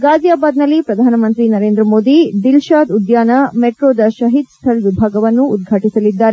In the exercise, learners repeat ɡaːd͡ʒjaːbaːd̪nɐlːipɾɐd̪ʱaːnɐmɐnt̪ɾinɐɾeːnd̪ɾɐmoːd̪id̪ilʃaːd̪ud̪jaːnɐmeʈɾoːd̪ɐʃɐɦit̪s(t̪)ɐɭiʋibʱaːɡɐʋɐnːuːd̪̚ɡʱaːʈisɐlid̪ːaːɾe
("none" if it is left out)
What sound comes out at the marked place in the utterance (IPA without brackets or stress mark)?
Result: t̪ʰ